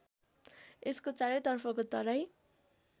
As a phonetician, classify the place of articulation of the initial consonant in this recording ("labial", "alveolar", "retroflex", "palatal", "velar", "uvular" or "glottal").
alveolar